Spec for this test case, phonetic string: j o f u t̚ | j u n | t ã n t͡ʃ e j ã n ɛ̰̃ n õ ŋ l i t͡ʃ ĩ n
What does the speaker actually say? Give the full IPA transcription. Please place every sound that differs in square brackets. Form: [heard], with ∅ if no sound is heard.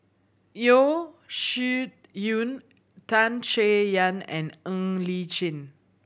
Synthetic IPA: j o [ʃ] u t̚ | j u n | t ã n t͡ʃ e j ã n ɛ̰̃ n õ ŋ l i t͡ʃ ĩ n